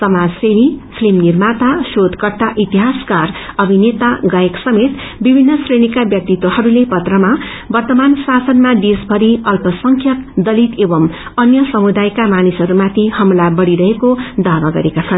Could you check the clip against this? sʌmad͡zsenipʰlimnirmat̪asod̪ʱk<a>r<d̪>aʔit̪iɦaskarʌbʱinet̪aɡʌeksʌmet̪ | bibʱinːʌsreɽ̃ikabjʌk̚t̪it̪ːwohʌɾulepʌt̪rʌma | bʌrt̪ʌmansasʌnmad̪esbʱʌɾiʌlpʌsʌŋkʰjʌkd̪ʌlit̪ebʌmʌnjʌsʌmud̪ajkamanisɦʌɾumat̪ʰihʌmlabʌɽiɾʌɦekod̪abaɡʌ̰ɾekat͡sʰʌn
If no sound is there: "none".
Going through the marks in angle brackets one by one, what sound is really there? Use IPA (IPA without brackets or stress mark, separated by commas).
ʌ, t̪